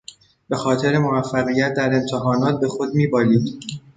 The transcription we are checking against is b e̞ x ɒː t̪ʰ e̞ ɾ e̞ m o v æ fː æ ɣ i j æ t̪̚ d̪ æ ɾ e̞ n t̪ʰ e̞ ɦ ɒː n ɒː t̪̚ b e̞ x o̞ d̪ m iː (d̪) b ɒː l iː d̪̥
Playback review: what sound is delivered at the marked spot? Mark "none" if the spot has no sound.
none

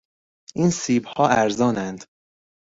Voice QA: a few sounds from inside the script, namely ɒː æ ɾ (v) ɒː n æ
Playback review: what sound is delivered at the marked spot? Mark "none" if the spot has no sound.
z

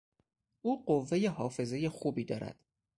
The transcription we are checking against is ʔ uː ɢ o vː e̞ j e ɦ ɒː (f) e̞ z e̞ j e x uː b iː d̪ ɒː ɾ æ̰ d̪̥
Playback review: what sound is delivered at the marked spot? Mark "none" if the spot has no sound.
f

